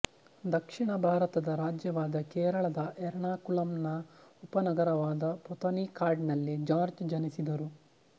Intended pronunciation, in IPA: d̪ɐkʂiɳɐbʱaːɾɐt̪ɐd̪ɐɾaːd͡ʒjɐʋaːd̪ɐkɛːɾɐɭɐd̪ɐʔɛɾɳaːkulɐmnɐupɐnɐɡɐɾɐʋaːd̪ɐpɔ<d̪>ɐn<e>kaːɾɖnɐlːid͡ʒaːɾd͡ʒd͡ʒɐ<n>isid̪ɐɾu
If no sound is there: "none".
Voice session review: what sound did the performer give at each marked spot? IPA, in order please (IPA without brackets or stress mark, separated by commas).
t̪, i, n